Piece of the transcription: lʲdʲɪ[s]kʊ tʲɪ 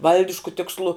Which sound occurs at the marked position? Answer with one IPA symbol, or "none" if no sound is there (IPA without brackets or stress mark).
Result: ʃ